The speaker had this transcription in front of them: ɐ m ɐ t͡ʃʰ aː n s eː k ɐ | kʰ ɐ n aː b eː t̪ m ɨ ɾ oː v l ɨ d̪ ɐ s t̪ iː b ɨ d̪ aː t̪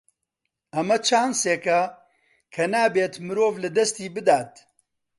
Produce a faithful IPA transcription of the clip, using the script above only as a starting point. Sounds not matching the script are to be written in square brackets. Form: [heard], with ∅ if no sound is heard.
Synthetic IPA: ɐ m ɐ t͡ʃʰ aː n s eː k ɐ | kʰ ɐ n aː b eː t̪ m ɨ ɾ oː v l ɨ d̪ ɐ s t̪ iː b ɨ d̪ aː t̪